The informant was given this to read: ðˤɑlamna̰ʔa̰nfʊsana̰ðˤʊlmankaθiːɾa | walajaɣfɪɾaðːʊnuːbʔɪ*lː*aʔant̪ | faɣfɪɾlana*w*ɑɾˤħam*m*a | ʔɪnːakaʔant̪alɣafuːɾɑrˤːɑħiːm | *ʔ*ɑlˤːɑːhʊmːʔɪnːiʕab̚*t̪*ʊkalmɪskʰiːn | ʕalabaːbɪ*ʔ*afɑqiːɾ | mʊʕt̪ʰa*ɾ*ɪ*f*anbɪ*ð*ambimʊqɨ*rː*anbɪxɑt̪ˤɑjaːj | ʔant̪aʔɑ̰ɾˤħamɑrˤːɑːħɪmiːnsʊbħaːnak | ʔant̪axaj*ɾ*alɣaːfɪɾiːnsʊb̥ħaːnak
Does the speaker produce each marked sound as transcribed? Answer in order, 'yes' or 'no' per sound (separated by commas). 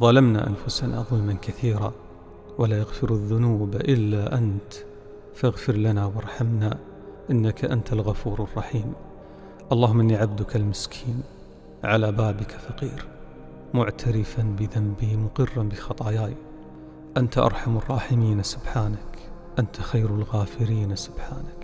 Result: yes, yes, no, yes, no, no, yes, yes, yes, yes, yes